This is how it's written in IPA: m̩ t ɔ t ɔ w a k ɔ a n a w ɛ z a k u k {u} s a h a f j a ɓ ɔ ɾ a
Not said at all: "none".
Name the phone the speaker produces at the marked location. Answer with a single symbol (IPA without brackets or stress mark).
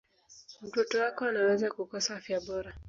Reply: ɔ